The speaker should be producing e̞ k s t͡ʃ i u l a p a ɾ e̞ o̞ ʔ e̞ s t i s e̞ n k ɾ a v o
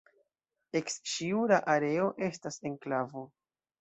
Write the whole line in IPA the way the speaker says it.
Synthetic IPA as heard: e̞ k s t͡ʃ i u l a ʔ a ɾ e̞ o̞ ʔ e̞ s t a s e̞ n k l a v o